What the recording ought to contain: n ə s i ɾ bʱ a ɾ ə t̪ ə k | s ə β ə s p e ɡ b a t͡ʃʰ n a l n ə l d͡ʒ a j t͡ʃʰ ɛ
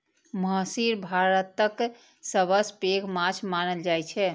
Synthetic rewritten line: m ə s i ɾ bʱ a ɾ ə t̪ ə k | s ə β ə s p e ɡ m a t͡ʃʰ m a n ə l d͡ʒ a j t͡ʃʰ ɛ